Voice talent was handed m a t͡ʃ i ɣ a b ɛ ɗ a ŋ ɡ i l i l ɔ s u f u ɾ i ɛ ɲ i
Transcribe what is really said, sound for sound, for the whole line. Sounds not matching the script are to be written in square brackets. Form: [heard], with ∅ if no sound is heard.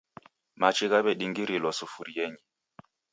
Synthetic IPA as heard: m a t͡ʃ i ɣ a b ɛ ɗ [i] ŋ ɡ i [ɾ] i l ɔ s u f u ɾ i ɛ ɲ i